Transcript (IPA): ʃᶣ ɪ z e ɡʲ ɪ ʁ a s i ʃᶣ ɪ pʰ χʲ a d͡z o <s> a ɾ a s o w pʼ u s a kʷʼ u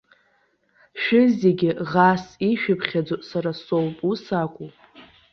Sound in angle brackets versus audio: correct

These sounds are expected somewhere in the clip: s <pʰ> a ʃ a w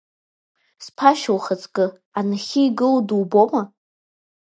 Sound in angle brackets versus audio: correct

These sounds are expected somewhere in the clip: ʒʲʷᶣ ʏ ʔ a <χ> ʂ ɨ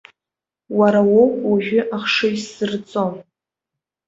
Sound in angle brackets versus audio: correct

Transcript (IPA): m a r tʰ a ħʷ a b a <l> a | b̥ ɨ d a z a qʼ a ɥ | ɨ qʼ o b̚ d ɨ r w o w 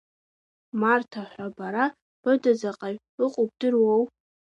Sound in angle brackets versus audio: incorrect: ɾ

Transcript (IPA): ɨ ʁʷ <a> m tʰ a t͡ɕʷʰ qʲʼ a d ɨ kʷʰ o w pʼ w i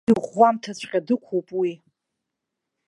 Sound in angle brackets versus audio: correct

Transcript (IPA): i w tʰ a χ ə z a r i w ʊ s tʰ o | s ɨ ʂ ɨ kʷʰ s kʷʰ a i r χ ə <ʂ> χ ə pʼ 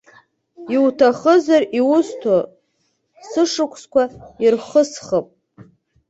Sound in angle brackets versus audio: incorrect: s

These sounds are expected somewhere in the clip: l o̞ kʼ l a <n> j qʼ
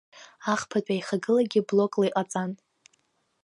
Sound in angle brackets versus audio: incorrect: none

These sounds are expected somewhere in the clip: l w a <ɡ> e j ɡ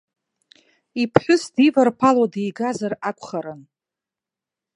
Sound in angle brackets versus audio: incorrect: d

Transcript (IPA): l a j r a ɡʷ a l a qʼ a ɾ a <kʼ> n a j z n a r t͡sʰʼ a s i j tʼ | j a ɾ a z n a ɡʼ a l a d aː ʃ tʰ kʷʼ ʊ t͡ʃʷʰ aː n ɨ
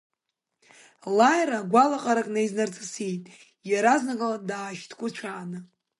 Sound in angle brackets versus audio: correct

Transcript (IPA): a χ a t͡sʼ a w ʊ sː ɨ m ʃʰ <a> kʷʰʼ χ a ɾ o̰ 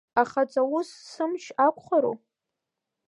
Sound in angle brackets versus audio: correct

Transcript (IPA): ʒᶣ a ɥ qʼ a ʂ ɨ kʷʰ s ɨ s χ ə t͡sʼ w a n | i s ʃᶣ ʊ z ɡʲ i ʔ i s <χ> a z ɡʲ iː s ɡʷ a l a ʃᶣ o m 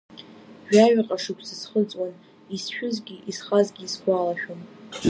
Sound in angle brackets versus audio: correct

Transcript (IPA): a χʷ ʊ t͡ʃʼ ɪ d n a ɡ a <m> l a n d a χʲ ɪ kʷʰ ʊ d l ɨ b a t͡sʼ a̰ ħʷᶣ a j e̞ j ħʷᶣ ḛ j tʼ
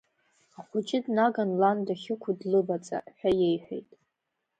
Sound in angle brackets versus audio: incorrect: n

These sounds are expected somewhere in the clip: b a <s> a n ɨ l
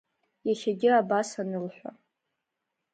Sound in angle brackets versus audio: correct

